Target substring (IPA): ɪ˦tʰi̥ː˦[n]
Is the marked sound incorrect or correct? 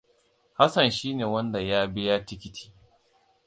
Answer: incorrect